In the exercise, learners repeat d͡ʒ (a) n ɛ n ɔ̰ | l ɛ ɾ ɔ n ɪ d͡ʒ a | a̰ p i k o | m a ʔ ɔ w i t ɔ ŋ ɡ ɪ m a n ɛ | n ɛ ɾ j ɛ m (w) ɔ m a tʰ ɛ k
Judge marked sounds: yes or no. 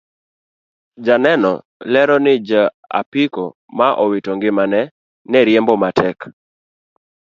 yes, no

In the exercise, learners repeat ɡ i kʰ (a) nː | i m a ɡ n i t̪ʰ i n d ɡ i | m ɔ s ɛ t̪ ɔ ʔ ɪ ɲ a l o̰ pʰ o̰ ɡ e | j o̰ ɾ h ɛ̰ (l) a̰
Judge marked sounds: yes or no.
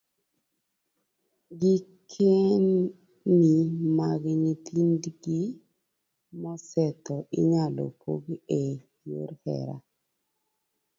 no, no

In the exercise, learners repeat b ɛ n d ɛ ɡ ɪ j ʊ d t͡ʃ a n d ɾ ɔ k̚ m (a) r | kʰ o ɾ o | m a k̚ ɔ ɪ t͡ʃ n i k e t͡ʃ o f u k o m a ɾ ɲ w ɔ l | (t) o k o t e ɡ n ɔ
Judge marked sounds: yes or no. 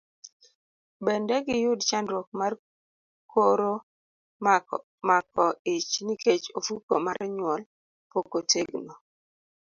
yes, no

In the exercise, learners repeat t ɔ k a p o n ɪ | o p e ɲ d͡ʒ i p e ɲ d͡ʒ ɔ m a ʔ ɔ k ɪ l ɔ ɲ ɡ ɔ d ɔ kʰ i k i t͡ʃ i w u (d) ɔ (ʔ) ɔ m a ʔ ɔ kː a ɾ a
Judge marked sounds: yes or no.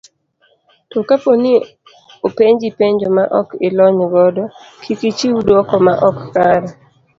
yes, no

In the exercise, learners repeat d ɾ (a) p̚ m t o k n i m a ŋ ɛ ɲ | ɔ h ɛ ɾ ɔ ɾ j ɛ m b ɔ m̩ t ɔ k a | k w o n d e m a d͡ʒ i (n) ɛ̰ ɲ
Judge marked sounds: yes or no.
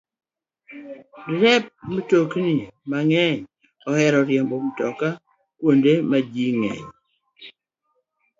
no, no

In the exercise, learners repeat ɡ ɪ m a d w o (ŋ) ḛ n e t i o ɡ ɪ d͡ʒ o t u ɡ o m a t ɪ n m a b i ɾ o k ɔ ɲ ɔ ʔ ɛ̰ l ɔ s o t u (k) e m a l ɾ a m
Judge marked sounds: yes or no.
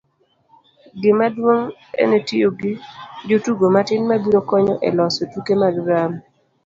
yes, yes

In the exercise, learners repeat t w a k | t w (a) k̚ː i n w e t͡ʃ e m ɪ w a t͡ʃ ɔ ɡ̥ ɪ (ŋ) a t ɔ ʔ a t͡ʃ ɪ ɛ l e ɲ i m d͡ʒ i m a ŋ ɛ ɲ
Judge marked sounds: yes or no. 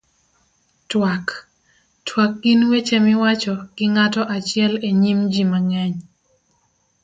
yes, yes

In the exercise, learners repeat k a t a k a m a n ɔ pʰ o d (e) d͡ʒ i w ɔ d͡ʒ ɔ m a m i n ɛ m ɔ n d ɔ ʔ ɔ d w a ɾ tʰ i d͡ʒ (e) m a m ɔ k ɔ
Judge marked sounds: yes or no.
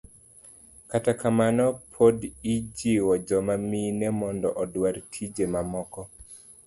no, yes

